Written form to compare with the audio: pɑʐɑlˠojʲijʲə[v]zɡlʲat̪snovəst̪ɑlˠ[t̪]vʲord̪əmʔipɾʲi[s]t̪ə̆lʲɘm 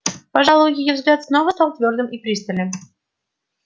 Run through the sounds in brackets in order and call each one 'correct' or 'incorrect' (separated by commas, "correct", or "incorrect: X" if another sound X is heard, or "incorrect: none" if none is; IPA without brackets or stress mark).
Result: correct, correct, correct